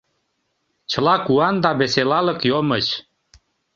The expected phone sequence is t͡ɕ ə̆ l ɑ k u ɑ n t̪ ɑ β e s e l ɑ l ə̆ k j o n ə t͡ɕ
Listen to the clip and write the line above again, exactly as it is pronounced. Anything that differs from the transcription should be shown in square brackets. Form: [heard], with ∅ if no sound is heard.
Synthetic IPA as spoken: t͡ɕ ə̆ l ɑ k u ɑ n [d̪] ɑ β e s e l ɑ l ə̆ k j o [m] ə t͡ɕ